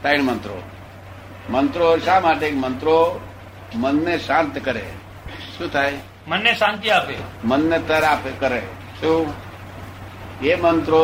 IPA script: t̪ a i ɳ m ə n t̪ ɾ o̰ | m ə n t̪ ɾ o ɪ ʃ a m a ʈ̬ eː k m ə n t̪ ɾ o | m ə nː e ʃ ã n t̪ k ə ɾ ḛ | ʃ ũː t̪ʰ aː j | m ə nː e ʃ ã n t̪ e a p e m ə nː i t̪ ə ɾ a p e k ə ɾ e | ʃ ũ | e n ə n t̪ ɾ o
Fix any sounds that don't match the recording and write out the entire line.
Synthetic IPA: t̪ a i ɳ m ə n t̪ ɾ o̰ | m ə n t̪ ɾ o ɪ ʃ a m a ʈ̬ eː k m ə n t̪ ɾ o | m ə nː e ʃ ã n t̪ k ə ɾ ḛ | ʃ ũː t̪ʰ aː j | m ə nː e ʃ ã n t̪ i a p e m ə nː e t̪ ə ɾ a p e k ə ɾ e | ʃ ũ | e m ə n t̪ ɾ o